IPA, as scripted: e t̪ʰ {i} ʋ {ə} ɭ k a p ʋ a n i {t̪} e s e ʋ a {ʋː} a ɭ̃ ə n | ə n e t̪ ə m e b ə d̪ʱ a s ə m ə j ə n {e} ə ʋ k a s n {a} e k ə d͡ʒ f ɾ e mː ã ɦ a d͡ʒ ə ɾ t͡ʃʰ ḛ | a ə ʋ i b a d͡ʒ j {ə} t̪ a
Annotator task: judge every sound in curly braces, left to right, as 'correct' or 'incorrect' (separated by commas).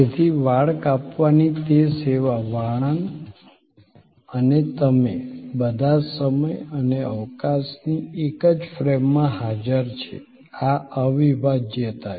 correct, incorrect, correct, incorrect, correct, incorrect, correct